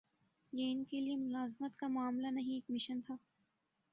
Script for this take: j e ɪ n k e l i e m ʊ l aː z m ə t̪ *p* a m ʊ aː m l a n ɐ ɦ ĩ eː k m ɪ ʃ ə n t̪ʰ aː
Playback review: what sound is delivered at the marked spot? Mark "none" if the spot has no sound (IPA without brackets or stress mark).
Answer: k